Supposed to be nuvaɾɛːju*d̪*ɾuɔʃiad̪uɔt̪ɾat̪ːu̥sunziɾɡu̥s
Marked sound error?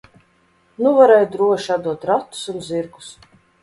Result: no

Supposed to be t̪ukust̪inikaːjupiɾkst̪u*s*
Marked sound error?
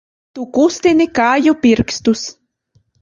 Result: no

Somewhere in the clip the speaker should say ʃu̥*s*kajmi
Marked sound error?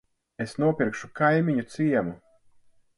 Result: yes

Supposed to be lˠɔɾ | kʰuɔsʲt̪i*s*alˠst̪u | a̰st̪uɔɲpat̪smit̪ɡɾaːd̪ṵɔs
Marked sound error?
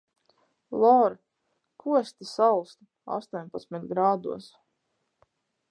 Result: no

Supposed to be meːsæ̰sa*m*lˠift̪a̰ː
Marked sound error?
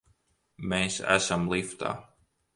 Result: no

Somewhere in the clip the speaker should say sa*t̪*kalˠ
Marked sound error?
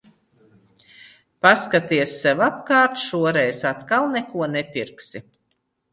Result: no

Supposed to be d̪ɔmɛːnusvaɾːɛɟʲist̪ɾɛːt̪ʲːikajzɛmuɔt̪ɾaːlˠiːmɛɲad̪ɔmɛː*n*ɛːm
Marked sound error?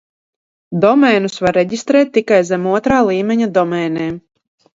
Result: no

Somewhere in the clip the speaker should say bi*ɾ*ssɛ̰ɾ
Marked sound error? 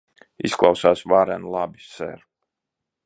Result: yes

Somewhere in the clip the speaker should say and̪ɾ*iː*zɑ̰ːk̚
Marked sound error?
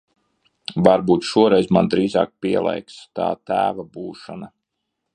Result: no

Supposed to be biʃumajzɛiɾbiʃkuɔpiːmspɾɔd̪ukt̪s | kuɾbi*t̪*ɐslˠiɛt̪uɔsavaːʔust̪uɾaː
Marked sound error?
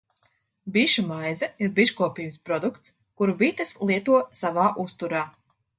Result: no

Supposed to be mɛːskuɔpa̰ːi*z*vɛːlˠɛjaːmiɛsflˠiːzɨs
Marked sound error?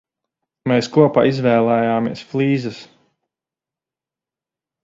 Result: no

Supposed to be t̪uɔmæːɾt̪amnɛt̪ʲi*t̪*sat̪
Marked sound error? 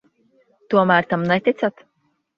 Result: no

